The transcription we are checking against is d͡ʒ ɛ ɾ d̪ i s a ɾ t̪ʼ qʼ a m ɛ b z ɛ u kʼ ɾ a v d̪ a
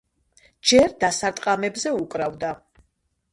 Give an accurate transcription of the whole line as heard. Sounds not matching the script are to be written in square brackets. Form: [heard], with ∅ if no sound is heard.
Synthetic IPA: d͡ʒ ɛ ɾ d̪ [a] s a ɾ t̪ʼ qʼ a m ɛ b z ɛ u kʼ ɾ a v d̪ a